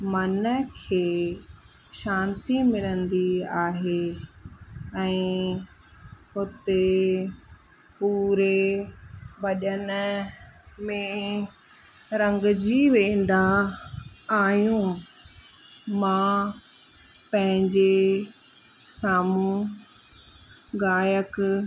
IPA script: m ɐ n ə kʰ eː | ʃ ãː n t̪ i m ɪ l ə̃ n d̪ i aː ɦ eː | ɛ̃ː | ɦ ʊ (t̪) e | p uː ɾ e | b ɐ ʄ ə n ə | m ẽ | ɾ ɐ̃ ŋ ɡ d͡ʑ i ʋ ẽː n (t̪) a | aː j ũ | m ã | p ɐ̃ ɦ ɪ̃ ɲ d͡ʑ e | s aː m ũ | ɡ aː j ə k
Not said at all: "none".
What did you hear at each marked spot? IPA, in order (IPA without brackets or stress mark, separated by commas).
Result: t̪, d̪